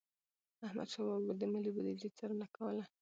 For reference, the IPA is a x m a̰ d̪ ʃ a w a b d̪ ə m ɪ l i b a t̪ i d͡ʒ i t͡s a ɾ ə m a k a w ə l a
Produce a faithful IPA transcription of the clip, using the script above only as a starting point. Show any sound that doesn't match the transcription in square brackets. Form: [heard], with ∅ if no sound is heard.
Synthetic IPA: a [h] m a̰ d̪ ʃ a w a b d̪ ə m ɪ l i b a [d̪] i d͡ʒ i t͡s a ɾ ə [n] a k a w ə l a